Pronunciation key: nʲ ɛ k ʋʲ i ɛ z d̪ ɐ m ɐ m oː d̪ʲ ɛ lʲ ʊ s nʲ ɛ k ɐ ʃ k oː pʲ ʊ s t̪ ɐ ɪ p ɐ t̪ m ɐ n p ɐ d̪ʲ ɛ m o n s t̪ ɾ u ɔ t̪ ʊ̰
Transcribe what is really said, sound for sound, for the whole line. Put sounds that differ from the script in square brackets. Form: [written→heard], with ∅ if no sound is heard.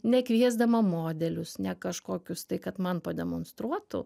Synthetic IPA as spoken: nʲ ɛ k ʋʲ i ɛ z d̪ ɐ m ɐ m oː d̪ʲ ɛ lʲ ʊ s nʲ ɛ k ɐ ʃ k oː [pʲ→kʲ] ʊ s t̪ ɐ ɪ [p→k] ɐ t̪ m ɐ n p ɐ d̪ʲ ɛ m o n s t̪ ɾ u ɔ t̪ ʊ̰